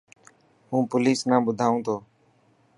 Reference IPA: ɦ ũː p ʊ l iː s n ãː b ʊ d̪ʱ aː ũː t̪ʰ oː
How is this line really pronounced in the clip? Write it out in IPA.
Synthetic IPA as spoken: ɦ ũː p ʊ l iː s n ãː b ʊ d̪ʱ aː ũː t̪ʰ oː